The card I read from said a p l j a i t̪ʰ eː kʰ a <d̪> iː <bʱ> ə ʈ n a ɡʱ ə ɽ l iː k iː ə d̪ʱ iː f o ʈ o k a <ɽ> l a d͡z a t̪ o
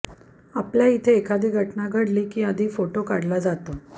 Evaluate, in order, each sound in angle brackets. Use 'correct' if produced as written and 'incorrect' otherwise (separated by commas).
correct, incorrect, correct